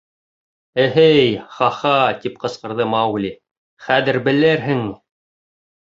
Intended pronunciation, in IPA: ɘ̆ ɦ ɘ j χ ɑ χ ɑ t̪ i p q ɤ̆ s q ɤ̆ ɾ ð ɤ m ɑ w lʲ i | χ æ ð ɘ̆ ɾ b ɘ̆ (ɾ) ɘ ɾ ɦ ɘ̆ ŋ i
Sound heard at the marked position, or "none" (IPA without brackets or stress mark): l